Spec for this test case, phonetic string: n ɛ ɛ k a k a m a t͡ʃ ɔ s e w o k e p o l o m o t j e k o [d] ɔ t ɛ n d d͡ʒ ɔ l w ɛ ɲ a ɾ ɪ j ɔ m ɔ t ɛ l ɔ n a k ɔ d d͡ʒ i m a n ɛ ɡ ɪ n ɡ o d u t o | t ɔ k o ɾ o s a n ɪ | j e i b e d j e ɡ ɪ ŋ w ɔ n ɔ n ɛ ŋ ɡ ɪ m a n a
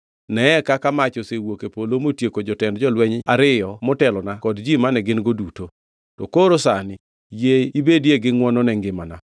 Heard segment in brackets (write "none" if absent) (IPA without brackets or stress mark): d͡ʒ